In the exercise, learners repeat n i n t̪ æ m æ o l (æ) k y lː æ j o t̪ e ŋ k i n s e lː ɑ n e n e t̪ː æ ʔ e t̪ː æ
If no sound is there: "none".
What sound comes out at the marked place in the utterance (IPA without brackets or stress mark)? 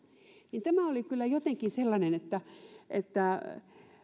i